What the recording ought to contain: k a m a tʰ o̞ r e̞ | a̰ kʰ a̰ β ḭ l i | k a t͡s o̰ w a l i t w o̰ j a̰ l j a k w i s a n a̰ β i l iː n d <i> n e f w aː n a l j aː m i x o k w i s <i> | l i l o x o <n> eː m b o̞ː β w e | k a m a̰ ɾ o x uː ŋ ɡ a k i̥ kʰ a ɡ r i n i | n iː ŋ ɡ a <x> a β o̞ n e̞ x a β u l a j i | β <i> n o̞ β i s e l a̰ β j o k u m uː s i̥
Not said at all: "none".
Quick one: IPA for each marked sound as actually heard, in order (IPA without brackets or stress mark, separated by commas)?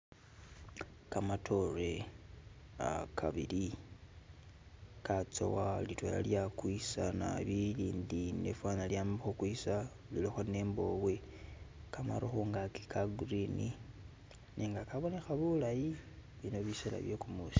i, a, n, k, i